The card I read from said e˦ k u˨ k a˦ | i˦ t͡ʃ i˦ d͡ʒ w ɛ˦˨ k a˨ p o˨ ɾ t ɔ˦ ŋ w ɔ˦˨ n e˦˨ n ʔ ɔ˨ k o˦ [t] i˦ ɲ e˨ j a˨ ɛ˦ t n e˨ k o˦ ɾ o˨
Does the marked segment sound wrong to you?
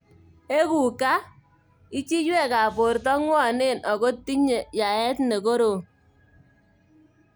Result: no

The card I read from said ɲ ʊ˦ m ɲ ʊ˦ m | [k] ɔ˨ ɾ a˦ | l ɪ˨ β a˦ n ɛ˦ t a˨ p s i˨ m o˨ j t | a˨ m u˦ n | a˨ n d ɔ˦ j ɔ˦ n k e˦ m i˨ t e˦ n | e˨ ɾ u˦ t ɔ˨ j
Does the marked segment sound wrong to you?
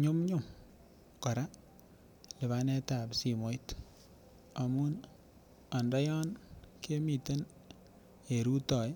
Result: no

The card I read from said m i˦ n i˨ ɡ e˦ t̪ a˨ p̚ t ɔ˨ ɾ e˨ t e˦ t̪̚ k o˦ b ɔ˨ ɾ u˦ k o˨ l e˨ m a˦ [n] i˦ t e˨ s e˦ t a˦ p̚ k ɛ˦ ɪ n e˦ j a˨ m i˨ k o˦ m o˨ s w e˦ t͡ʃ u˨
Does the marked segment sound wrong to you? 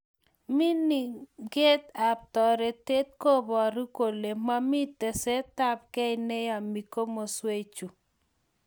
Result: yes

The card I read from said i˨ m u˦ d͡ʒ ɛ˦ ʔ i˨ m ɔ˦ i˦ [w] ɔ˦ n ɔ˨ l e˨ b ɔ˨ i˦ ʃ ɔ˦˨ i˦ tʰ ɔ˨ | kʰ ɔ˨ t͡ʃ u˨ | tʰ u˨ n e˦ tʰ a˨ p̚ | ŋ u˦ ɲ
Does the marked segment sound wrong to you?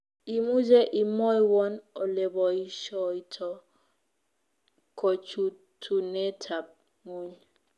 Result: no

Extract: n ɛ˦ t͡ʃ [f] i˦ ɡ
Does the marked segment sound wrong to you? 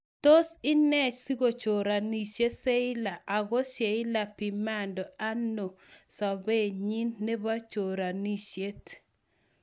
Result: yes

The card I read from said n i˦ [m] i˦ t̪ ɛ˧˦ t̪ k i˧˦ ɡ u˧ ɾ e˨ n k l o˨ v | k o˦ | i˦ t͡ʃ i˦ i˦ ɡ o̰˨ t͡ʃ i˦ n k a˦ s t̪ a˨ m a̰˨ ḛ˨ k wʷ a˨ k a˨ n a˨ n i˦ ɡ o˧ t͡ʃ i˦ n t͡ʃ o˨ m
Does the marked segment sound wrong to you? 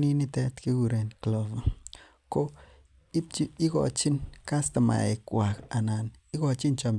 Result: yes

